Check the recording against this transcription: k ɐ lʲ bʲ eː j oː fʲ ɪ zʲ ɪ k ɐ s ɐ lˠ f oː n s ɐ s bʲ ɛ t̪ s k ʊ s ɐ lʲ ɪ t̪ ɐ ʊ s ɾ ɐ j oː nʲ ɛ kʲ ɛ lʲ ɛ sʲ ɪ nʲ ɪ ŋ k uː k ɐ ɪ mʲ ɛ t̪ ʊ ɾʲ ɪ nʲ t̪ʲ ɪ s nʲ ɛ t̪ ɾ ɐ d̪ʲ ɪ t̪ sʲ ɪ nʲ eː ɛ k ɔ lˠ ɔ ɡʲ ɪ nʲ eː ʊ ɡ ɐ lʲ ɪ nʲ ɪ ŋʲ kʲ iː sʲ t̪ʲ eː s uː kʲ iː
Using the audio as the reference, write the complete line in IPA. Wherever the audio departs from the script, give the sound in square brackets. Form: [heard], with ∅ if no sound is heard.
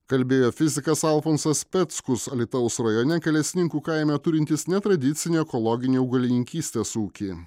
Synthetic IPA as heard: k ɐ lʲ bʲ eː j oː fʲ ɪ zʲ ɪ k ɐ s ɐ lˠ f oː n s ɐ s [pʲ] ɛ t̪ s k ʊ s ɐ lʲ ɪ t̪ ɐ ʊ s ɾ ɐ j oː nʲ ɛ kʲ ɛ lʲ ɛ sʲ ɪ nʲ ɪ ŋ k uː k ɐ ɪ mʲ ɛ t̪ ʊ ɾʲ ɪ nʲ t̪ʲ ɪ s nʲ ɛ t̪ ɾ ɐ d̪ʲ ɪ t̪ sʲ ɪ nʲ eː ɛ k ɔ lˠ ɔ ɡʲ ɪ nʲ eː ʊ ɡ ɐ lʲ ɪ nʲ ɪ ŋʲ kʲ iː sʲ t̪ʲ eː s uː kʲ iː

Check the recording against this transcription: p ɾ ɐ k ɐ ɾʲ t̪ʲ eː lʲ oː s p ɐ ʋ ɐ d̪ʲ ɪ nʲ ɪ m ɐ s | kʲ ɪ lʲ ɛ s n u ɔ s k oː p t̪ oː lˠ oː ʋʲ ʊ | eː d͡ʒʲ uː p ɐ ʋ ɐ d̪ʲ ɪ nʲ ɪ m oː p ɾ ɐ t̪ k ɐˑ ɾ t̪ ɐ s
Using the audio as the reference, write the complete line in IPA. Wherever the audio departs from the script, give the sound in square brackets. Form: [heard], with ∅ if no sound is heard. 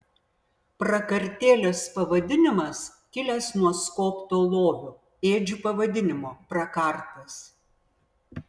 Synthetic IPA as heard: p ɾ ɐ k ɐ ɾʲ t̪ʲ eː lʲ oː s p ɐ ʋ ɐ d̪ʲ ɪ nʲ ɪ m ɐ s | kʲ ɪ lʲ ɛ s n u ɔ s k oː p t̪ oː lˠ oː ʋʲ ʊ | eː d͡ʒʲ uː p ɐ ʋ ɐ d̪ʲ ɪ nʲ ɪ m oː p ɾ ɐ [∅] k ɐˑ ɾ t̪ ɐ s

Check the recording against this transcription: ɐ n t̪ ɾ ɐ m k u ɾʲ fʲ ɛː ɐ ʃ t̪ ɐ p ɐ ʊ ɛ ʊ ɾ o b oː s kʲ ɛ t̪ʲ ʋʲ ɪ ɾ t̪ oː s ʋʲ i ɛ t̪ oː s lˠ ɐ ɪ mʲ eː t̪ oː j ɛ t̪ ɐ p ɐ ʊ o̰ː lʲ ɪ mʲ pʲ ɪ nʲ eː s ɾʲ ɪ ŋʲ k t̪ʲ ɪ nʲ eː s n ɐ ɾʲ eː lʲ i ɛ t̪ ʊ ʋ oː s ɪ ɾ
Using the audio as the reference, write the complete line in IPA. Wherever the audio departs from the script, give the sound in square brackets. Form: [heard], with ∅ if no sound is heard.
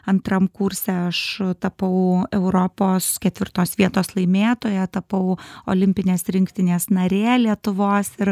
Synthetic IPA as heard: ɐ n t̪ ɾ ɐ m k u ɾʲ [sʲ] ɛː ɐ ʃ t̪ ɐ p ɐ ʊ ɛ ʊ ɾ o [p] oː s kʲ ɛ t̪ʲ ʋʲ ɪ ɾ t̪ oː s ʋʲ i ɛ t̪ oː s lˠ ɐ ɪ mʲ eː t̪ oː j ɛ t̪ ɐ p ɐ ʊ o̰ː lʲ ɪ mʲ pʲ ɪ nʲ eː s ɾʲ ɪ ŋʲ k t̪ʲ ɪ nʲ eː s n ɐ ɾʲ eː lʲ i ɛ t̪ ʊ ʋ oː s ɪ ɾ

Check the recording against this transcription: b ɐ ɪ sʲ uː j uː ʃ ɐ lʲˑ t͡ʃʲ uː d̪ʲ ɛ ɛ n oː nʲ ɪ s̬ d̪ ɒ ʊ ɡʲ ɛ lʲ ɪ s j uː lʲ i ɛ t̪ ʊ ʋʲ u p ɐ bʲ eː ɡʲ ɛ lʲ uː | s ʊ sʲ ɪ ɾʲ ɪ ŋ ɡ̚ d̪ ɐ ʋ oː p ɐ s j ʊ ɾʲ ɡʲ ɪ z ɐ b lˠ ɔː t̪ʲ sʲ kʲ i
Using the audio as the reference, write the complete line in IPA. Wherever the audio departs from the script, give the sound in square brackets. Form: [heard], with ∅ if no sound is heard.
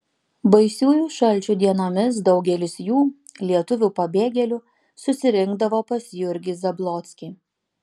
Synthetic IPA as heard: b ɐ ɪ sʲ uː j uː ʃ ɐ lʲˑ t͡ʃʲ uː d̪ʲ [i] ɛ n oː [mʲ] ɪ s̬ d̪ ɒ ʊ ɡʲ ɛ lʲ ɪ s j uː lʲ i ɛ t̪ ʊ ʋʲ u p ɐ bʲ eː ɡʲ ɛ lʲ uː | s ʊ sʲ ɪ ɾʲ ɪ ŋ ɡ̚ d̪ ɐ ʋ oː p ɐ s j ʊ ɾʲ ɡʲ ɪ z ɐ b lˠ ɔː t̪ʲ sʲ kʲ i

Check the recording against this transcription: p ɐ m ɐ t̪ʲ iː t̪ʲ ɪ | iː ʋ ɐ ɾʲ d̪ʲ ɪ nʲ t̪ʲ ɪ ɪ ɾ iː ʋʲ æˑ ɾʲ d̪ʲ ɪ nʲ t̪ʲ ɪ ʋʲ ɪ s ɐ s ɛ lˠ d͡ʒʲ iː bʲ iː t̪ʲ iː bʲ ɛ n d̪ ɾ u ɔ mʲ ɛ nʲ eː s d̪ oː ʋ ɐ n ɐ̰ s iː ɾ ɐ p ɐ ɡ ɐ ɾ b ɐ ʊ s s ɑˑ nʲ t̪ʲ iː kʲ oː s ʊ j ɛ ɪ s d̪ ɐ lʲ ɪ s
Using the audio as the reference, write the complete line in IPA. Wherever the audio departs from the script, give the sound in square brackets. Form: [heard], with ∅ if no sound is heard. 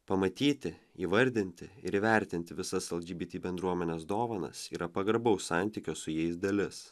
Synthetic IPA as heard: p ɐ m ɐ t̪ʲ iː t̪ʲ ɪ | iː ʋ ɐ ɾʲ d̪ʲ ɪ nʲ t̪ʲ ɪ ɪ ɾ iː ʋʲ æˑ ɾʲ [t̪ʲ] ɪ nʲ t̪ʲ ɪ ʋʲ ɪ s ɐ s ɛ lˠ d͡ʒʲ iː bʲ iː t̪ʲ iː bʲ ɛ n d̪ ɾ u ɔ mʲ ɛ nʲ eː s d̪ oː ʋ ɐ n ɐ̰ s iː ɾ ɐ p ɐ ɡ ɐ ɾ b ɐ ʊ s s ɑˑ nʲ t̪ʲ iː kʲ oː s ʊ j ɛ ɪ s d̪ ɐ lʲ ɪ s

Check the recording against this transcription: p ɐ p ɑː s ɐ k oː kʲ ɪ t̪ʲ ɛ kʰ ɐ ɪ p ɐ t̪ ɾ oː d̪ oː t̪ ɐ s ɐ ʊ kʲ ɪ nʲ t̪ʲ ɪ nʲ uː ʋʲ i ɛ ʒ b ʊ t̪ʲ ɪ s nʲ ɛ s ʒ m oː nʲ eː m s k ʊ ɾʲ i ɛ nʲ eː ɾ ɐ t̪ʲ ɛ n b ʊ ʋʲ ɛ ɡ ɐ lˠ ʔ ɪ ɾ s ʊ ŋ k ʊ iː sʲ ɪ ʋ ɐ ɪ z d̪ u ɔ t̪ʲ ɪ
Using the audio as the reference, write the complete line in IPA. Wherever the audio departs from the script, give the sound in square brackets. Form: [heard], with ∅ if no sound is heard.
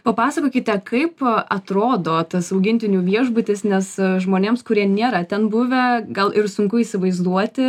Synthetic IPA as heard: p ɐ p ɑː s ɐ k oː kʲ ɪ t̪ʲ ɛ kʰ ɐ ɪ p ɐ t̪ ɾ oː d̪ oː t̪ ɐ s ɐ ʊ [ɡʲ] ɪ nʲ t̪ʲ ɪ nʲ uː ʋʲ i ɛ ʒ b ʊ t̪ʲ ɪ s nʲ ɛ s ʒ m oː nʲ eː m s k ʊ ɾʲ i ɛ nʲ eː ɾ ɐ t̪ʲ ɛ n b ʊ ʋʲ ɛ ɡ ɐ lˠ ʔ ɪ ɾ s ʊ ŋ k ʊ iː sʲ ɪ ʋ ɐ ɪ z d̪ u ɔ t̪ʲ ɪ

